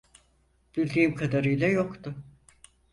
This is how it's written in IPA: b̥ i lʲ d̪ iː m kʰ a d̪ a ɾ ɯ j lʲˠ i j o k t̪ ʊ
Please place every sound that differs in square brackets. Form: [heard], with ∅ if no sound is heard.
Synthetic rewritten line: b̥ i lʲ d̪ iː m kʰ a d̪ a ɾ ɯ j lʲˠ [a] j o k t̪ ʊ